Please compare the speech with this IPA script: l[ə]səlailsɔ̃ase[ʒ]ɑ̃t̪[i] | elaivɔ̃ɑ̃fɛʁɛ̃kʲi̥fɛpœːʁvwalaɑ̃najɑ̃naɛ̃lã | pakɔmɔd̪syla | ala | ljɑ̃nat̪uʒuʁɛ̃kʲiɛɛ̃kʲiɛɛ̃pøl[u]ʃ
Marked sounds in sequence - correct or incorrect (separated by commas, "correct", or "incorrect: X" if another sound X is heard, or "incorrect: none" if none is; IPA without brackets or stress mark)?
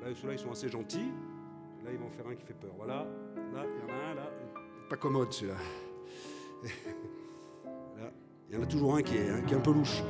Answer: incorrect: a, correct, correct, correct